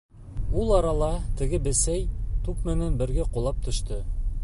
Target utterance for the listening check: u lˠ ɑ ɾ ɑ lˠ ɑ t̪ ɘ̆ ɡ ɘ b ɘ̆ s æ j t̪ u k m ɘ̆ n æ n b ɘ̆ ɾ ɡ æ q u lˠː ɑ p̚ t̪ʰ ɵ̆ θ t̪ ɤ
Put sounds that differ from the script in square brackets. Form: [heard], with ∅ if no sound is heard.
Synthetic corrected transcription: u lˠ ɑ ɾ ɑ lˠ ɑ t̪ ɘ̆ ɡ ɘ b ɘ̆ s æ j t̪ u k m ɘ̆ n æ n b ɘ̆ ɾ ɡ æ q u [lˠ] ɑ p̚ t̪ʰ ɵ̆ [ʃ] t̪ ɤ

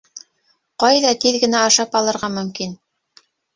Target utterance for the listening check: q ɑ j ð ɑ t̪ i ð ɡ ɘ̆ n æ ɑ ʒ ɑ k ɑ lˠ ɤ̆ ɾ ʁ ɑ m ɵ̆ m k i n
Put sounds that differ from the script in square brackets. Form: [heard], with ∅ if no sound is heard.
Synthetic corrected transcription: q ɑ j ð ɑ t̪ i ð ɡ ɘ̆ n æ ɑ [ʃ] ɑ [p] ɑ lˠ ɤ̆ ɾ ʁ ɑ m ɵ̆ m k i n

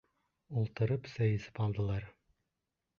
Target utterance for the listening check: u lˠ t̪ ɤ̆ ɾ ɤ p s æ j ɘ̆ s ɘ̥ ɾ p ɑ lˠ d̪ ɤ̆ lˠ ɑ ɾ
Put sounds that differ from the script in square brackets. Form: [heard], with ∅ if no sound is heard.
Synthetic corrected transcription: u lˠ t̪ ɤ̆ ɾ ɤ p s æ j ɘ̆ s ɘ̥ [∅] p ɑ lˠ d̪ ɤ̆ lˠ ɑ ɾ

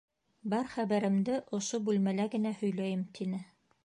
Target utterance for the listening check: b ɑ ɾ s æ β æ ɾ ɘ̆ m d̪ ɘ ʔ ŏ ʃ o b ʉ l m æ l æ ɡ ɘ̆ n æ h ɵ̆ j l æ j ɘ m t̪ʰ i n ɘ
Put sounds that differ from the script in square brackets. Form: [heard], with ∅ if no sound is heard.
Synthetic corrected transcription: b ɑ ɾ [χ] æ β æ ɾ ɘ̆ m d̪ ɘ ʔ ŏ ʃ o b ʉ l m æ l æ ɡ ɘ̆ n æ h ɵ̆ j l æ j ɘ m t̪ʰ i n ɘ

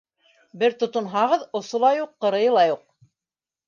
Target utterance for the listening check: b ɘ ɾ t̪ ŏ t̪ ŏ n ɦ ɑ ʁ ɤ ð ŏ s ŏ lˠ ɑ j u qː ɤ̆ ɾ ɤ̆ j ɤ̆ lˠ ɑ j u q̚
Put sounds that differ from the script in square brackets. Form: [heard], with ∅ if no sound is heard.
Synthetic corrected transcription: b ɘ ɾ t̪ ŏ t̪ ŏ n ɦ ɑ ʁ ɤ ð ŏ s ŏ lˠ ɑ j u qː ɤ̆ ɾ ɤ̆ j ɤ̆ lˠ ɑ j u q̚

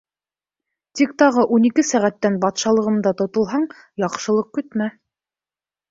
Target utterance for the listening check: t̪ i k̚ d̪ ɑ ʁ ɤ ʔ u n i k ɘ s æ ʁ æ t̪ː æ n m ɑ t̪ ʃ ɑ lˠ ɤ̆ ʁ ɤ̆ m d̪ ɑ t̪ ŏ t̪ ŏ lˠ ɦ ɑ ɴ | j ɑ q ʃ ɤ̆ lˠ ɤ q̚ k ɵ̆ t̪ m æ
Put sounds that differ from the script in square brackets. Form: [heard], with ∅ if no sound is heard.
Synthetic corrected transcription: t̪ i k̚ [t̪] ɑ ʁ ɤ ʔ u n i k ɘ s æ ʁ æ t̪ː æ n [b] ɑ t̪ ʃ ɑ lˠ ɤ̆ ʁ ɤ̆ m d̪ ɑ t̪ ŏ t̪ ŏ lˠ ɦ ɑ ɴ | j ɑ q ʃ ɤ̆ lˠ ɤ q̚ k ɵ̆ t̪ m æ

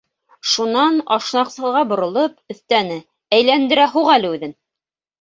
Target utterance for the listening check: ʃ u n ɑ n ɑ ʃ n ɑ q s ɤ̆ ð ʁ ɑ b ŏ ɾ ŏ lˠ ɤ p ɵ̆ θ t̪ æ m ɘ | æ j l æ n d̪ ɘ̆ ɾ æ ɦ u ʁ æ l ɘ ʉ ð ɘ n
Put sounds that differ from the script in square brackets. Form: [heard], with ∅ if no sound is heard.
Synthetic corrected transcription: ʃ u n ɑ n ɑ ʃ n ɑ q s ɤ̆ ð ʁ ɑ b ŏ ɾ ŏ lˠ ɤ p ɵ̆ θ t̪ æ [n] ɘ | æ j l æ n d̪ ɘ̆ ɾ æ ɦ u ʁ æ l ɘ ʉ ð ɘ n

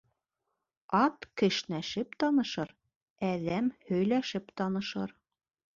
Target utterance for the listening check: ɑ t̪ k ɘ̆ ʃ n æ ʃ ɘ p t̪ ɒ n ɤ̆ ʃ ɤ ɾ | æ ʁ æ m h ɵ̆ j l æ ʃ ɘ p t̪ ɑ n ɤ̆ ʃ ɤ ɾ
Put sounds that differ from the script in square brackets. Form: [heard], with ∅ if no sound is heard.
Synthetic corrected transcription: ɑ t̪ k ɘ̆ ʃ n æ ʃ ɘ p t̪ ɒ n ɤ̆ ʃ ɤ ɾ | æ [ð] æ m h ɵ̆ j l æ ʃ ɘ p t̪ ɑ n ɤ̆ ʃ ɤ ɾ

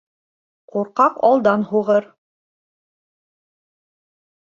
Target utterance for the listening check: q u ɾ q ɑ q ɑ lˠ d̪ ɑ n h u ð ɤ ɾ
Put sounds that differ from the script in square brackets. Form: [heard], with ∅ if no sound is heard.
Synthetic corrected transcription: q u ɾ q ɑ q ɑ lˠ d̪ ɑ n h u [ʁ] ɤ ɾ

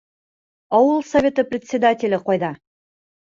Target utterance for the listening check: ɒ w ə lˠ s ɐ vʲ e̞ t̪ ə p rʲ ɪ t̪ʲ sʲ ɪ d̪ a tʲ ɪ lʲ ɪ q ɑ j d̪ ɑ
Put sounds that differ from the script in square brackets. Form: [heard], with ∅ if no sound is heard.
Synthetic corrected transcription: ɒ w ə lˠ s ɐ vʲ e̞ t̪ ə p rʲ ɪ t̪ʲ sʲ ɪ d̪ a tʲ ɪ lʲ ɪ q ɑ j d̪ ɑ

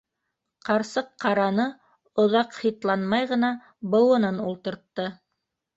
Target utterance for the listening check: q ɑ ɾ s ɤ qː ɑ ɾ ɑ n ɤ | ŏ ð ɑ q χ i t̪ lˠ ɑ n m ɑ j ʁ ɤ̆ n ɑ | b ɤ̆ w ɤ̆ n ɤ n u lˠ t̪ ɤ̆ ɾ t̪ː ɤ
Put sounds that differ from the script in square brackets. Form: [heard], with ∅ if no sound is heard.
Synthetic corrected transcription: q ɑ ɾ s ɤ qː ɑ ɾ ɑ n ɤ | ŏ ð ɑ q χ i t̪ lˠ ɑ n m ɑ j ʁ ɤ̆ n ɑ | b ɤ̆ w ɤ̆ n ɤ n u lˠ t̪ ɤ̆ ɾ t̪ː ɤ

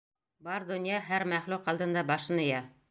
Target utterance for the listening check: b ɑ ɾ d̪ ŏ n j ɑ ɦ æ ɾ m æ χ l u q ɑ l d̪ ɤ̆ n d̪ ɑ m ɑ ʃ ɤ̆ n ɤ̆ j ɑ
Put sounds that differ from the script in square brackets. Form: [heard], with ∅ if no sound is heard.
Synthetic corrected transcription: b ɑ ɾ d̪ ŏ n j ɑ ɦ æ ɾ m æ χ l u q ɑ l d̪ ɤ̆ n d̪ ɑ [b] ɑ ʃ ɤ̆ n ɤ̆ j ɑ

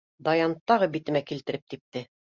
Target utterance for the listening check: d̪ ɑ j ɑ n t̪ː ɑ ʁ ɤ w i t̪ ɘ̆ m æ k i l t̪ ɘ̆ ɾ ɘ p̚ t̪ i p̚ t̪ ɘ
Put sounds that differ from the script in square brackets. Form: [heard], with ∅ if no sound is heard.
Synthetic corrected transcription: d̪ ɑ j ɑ n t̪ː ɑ ʁ ɤ [b] i t̪ ɘ̆ m æ k i l t̪ ɘ̆ ɾ ɘ p̚ t̪ i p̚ t̪ ɘ

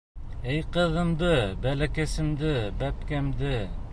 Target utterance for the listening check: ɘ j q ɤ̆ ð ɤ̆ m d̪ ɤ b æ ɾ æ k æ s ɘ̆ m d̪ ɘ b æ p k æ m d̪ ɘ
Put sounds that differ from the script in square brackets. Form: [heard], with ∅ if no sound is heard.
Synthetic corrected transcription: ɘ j q ɤ̆ ð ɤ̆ m d̪ ɤ b æ [l] æ k æ s ɘ̆ m d̪ ɘ b æ p k æ m d̪ ɘ

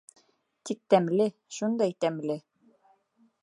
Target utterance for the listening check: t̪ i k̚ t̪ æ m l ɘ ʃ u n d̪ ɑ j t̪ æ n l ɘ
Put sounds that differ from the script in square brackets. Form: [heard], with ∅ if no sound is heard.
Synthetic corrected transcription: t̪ i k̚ t̪ æ m l ɘ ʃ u n d̪ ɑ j t̪ æ [m] l ɘ

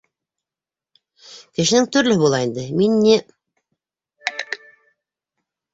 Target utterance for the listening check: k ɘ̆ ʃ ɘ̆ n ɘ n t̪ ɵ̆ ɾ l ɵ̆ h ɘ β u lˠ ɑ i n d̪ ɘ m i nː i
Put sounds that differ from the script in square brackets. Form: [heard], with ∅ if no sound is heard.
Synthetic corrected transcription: k ɘ̆ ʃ ɘ̆ n ɘ [ŋ] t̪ ɵ̆ ɾ l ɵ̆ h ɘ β u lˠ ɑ i n d̪ ɘ m i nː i

